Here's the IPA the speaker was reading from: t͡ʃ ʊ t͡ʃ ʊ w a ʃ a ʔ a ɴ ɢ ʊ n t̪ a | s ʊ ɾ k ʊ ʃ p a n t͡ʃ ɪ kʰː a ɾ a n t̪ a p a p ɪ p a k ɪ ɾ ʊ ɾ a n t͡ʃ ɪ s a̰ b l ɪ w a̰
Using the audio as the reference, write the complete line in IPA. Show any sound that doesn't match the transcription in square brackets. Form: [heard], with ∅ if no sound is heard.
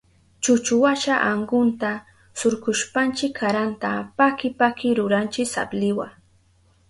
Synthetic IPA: t͡ʃ ʊ t͡ʃ ʊ w a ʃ a ʔ a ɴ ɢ ʊ n t̪ a | s ʊ ɾ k ʊ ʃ p a n t͡ʃ ɪ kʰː a ɾ a n t̪ a p a [k] ɪ p a k ɪ ɾ ʊ ɾ a n t͡ʃ ɪ s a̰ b l ɪ w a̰